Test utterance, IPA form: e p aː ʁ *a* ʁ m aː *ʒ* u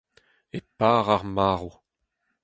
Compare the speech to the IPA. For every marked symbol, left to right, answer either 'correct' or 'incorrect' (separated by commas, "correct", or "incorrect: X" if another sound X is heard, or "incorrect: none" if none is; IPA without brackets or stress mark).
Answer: correct, incorrect: ʁ